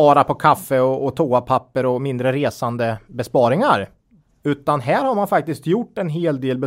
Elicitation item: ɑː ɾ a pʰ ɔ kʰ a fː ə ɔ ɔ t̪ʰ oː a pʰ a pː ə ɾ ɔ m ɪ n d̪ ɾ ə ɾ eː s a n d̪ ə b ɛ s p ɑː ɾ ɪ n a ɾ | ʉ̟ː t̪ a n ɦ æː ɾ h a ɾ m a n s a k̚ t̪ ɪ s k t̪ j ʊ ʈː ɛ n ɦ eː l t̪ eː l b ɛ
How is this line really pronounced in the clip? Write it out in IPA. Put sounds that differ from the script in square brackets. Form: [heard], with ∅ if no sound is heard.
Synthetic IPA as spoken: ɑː ɾ a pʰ ɔ kʰ a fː ə ɔ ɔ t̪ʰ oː a pʰ a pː ə ɾ ɔ m ɪ n d̪ ɾ ə ɾ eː s a n d̪ ə b ɛ s p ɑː ɾ ɪ [ŋ] a ɾ | ʉ̟ː t̪ a n ɦ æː ɾ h a ɾ m a n [f] a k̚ t̪ ɪ s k t̪ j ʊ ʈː ɛ n ɦ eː l [d̪] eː l b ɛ